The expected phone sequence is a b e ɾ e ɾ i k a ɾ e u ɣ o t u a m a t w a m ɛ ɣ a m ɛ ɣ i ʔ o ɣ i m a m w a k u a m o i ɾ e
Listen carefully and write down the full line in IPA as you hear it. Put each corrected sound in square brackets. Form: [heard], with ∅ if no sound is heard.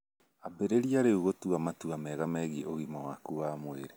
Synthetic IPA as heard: a b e ɾ e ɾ i [∅] a ɾ e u ɣ o t u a m a t [u] a m ɛ ɣ a m ɛ ɣ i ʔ o ɣ i m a [∅] w a k u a m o [e] ɾ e